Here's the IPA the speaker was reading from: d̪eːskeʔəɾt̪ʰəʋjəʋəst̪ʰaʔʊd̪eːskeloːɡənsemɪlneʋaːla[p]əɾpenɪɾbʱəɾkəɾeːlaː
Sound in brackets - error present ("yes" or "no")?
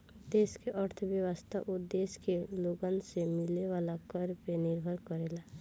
yes